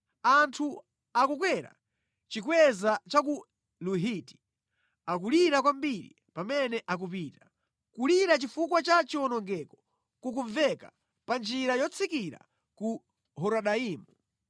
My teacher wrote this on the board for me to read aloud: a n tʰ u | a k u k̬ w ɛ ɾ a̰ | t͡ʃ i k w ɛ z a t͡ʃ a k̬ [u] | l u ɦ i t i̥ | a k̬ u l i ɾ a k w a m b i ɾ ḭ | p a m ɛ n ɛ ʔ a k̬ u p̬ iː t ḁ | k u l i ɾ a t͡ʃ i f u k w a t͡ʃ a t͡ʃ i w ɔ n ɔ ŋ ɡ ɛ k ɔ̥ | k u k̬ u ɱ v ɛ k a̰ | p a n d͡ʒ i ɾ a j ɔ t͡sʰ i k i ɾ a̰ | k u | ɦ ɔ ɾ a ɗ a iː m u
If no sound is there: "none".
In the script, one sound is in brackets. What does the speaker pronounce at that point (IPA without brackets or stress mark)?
u